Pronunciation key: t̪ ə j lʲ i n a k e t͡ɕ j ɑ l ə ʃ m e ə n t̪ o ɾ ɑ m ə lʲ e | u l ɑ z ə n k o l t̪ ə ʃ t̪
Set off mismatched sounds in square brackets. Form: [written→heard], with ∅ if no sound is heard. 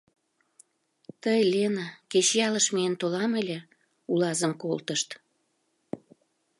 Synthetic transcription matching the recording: t̪ ə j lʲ [i→e] n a k e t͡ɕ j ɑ l ə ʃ m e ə n t̪ o [ɾ→l] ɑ m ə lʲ e | u l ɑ z ə [n→m] k o l t̪ ə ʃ t̪